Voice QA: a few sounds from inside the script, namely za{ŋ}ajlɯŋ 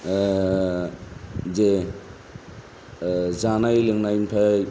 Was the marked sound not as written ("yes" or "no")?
yes